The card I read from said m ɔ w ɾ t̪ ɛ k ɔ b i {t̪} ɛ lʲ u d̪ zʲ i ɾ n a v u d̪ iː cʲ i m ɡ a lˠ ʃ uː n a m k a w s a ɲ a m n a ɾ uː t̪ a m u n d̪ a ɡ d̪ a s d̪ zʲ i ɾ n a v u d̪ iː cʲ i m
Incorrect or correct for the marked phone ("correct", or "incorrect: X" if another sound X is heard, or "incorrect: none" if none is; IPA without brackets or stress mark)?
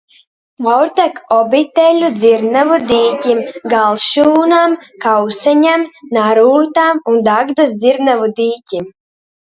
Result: correct